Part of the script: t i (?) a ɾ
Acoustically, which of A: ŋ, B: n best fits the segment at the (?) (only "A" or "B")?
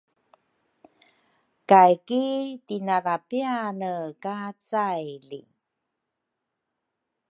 B